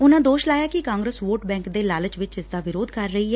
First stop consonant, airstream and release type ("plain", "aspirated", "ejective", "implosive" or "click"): plain